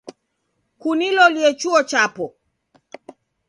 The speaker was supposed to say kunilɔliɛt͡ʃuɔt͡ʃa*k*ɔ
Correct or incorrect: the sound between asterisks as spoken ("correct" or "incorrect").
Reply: incorrect